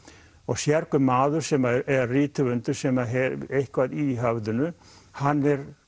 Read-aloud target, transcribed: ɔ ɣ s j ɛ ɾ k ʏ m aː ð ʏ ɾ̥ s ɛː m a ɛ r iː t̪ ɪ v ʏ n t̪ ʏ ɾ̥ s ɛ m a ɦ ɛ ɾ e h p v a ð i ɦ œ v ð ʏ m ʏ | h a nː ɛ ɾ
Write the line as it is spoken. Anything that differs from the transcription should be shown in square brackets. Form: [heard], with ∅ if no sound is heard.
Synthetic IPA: ɔ ɣ s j ɛ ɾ k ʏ m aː ð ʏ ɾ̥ s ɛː m a ɛ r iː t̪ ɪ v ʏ n t̪ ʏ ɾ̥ s ɛ m a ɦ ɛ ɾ e h [k] v a ð i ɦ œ v ð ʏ [n] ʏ | h a nː ɛ ɾ